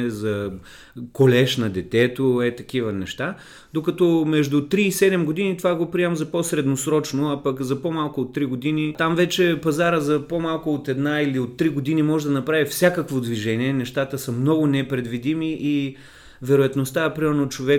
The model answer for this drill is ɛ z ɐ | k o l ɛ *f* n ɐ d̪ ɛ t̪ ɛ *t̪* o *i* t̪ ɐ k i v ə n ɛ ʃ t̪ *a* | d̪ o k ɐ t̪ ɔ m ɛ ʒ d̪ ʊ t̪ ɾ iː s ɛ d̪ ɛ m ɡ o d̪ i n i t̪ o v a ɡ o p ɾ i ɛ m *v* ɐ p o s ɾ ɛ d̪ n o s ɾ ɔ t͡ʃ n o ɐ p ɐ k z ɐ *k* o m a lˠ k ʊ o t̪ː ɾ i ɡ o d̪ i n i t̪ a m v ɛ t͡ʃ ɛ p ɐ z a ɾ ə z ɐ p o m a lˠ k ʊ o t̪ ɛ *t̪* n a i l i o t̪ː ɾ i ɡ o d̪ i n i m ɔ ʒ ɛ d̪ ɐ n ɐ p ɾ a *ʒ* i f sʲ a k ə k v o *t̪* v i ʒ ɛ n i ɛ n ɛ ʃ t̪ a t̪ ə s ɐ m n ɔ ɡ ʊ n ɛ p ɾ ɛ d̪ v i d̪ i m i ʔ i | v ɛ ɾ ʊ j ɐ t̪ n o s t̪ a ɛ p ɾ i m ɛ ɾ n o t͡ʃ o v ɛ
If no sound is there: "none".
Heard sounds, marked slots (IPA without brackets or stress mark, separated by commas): ʃ, t̪, ɛ, a, z, p, d̪, v, d̪